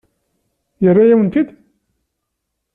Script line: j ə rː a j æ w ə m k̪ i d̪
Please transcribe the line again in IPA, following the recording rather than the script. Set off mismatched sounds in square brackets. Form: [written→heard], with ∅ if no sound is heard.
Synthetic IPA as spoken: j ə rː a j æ w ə [m→n] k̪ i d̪